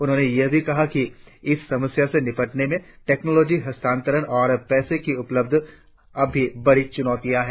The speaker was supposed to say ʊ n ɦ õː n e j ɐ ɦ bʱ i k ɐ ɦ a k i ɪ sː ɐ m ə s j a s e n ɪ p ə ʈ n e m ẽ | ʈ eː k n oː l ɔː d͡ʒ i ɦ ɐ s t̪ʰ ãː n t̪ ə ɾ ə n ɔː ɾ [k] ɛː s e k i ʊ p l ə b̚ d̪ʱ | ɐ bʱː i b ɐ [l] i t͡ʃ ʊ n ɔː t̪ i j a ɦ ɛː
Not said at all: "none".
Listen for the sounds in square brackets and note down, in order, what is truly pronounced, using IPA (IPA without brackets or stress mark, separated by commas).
p, ɽ